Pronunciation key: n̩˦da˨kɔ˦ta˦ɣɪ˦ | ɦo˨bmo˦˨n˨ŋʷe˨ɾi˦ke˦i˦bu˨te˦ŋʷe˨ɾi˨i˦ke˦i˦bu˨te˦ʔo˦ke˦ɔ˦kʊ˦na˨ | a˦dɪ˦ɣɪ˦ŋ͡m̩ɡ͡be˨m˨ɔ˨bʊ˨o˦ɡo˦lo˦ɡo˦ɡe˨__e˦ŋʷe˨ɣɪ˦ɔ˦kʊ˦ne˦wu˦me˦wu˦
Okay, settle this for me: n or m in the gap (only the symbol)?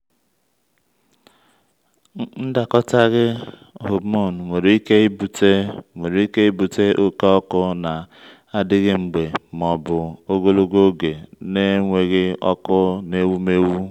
n